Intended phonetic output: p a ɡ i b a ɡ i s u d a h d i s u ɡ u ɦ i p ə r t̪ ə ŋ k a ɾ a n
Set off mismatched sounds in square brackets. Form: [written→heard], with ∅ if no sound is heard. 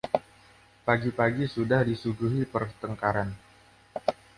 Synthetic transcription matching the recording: p a ɡ i [b→p] a ɡ i s u d a h d i s u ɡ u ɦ i p ə r t̪ ə ŋ k a ɾ a n